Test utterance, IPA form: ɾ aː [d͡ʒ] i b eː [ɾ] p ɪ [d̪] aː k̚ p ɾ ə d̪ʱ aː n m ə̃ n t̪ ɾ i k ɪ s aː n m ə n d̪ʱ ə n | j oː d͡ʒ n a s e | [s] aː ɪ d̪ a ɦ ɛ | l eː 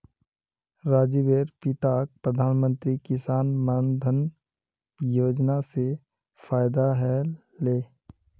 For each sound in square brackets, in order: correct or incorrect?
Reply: correct, correct, incorrect: t̪, incorrect: f

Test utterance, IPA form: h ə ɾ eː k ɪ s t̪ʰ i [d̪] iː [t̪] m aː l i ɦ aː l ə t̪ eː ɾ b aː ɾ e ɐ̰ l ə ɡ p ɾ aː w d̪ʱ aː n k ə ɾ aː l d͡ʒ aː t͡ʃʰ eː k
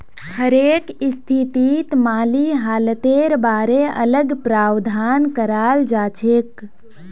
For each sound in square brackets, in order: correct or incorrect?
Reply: incorrect: t̪, correct

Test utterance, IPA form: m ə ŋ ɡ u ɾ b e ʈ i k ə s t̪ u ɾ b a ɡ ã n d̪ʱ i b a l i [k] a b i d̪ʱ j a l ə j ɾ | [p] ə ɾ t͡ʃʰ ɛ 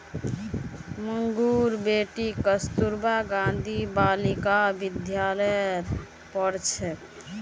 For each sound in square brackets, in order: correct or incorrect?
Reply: correct, correct

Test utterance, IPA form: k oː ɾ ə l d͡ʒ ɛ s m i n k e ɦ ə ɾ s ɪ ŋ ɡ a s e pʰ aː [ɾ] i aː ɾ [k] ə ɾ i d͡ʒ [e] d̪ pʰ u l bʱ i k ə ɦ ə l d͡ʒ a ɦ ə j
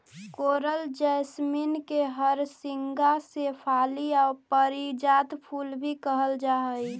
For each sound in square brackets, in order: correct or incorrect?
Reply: incorrect: l, incorrect: p, incorrect: a

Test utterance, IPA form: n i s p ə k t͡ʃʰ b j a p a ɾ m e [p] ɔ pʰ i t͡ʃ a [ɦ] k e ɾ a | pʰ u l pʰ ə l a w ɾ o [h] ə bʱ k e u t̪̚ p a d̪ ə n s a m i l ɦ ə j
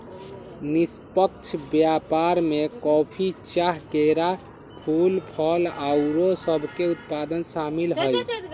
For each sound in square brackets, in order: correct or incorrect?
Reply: incorrect: k, correct, incorrect: s

